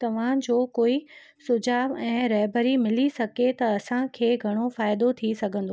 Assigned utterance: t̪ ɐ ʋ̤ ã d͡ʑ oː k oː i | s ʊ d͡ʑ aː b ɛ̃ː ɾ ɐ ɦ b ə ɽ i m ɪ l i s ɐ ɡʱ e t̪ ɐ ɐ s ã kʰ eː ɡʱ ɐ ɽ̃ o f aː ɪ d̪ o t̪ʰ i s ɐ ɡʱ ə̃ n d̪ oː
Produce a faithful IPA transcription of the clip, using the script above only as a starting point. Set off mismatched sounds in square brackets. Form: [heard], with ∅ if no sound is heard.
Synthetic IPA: t̪ ɐ ʋ̤ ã d͡ʑ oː k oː i | s ʊ d͡ʑ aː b ɛ̃ː ɾ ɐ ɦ b ə [ɾ] i m ɪ l i s ɐ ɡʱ e t̪ ɐ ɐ s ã kʰ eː ɡʱ ɐ ɽ̃ o f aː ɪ d̪ o t̪ʰ i s ɐ ɡʱ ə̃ n d̪ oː

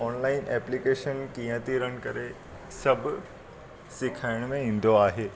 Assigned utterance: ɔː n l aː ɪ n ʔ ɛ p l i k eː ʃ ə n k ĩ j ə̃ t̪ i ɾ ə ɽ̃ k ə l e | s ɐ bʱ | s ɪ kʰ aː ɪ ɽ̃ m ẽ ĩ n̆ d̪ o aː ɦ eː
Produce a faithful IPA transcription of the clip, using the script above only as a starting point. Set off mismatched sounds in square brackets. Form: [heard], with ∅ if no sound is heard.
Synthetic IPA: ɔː n l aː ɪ n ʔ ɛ p l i k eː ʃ ə n k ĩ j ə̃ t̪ i ɾ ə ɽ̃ k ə [ɾ] e | s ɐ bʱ | s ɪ kʰ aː ɪ ɽ̃ m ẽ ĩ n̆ d̪ o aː ɦ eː

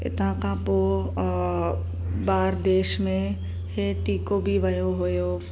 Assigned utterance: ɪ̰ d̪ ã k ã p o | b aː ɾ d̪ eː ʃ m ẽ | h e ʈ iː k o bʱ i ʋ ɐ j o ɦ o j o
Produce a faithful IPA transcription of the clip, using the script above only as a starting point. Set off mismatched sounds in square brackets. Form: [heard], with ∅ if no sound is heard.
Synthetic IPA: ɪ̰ [t̪] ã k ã p o | b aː ɾ d̪ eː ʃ m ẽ | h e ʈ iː k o bʱ i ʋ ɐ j o ɦ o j o

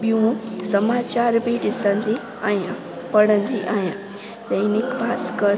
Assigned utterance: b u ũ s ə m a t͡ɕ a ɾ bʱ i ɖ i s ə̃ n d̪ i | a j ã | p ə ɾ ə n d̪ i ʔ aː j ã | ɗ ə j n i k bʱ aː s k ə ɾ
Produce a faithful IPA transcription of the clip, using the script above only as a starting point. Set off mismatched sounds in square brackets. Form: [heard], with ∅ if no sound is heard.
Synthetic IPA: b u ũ s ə m a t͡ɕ a ɾ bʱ i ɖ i s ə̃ n d̪ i | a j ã | p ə [ɽ] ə n d̪ i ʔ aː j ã | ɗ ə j n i k bʱ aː s k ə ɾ

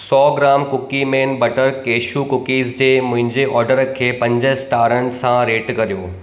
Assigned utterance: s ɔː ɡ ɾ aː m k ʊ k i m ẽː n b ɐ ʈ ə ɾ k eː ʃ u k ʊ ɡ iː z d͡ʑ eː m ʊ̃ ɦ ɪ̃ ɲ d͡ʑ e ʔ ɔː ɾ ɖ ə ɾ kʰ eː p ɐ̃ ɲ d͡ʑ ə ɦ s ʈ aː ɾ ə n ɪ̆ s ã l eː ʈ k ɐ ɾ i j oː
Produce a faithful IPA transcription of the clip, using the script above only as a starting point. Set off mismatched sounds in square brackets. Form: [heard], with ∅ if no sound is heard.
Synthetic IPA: s ɔː ɡ ɾ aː m k ʊ k i m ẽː n b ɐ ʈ ə ɾ k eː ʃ u k ʊ [k] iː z d͡ʑ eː m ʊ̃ ɦ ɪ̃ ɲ d͡ʑ e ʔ ɔː ɾ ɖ ə ɾ kʰ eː p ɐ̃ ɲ d͡ʑ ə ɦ s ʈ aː ɾ ə n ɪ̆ s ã [ɾ] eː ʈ k ɐ ɾ i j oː

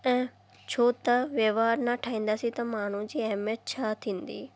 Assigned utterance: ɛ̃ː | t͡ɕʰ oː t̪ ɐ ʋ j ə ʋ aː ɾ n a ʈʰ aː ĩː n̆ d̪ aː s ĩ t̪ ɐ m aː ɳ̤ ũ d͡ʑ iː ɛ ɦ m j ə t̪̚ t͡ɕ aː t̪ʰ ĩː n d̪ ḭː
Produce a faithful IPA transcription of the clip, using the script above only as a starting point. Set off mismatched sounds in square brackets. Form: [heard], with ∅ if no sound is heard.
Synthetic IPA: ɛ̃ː | t͡ɕʰ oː t̪ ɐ ʋ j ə ʋ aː ɾ n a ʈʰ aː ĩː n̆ d̪ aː s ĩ t̪ ɐ m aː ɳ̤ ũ d͡ʑ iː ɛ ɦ m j ə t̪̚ [t͡ɕʰ] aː t̪ʰ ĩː n d̪ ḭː

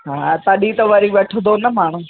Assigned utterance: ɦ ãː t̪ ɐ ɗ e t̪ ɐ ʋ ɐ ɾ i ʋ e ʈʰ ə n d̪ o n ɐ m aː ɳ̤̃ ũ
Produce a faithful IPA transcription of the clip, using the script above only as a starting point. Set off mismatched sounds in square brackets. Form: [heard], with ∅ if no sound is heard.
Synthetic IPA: ɦ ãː t̪ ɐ ɗ [i] t̪ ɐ ʋ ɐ ɾ i ʋ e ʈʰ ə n d̪ o n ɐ m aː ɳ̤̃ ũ

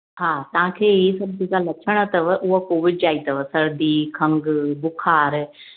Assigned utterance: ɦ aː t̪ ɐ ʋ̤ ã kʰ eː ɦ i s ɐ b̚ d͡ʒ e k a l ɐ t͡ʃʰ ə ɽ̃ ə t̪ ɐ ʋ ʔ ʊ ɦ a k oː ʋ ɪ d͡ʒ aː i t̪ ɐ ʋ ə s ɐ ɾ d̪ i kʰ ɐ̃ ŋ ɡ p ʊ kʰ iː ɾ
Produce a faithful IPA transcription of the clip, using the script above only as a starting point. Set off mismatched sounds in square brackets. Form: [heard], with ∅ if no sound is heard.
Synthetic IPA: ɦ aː t̪ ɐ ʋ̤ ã kʰ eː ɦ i s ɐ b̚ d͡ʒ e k a l ɐ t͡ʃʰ ə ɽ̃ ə t̪ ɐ ʋ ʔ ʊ ɦ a k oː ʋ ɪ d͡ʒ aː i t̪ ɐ ʋ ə s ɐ ɾ d̪ i kʰ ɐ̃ ŋ ɡ [b] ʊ kʰ [aː] ɾ

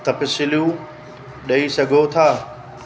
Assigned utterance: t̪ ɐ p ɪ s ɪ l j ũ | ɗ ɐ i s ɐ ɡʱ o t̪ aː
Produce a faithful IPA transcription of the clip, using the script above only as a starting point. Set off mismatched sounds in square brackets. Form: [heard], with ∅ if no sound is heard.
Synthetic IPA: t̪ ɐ p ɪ s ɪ l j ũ | ɗ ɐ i s ɐ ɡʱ o [t̪ʰ] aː

